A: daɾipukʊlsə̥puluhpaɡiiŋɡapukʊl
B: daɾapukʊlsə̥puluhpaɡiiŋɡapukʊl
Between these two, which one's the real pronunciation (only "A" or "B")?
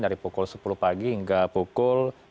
A